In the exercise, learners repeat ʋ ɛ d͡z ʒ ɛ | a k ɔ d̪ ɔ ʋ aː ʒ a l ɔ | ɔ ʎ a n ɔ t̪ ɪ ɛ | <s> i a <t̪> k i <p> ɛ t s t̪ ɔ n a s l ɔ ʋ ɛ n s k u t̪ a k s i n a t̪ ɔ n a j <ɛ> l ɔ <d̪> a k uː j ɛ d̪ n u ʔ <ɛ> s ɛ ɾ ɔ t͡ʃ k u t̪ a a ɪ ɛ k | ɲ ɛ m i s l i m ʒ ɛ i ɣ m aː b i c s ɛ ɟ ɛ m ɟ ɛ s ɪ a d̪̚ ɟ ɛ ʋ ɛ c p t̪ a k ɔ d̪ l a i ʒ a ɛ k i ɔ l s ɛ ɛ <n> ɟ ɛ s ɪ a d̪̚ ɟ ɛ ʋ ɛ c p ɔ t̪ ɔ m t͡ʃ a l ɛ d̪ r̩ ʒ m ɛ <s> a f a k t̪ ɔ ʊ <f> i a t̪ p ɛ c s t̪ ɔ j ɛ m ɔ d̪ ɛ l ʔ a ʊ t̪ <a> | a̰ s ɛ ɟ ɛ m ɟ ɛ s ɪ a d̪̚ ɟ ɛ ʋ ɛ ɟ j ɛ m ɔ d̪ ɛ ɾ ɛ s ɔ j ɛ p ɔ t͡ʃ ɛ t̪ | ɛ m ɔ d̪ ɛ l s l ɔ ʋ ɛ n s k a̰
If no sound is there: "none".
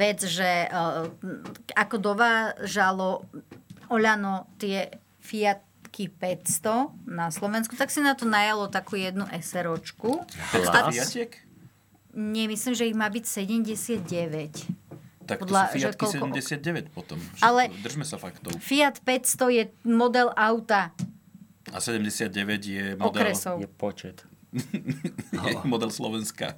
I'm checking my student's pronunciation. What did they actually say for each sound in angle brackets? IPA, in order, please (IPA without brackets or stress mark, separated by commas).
f, t̪, p, a, t̪, ɛ, m, s, f, a